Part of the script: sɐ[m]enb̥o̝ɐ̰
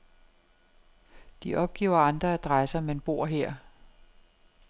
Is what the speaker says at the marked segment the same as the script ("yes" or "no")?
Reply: yes